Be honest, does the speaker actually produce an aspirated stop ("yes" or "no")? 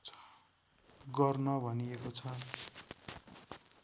yes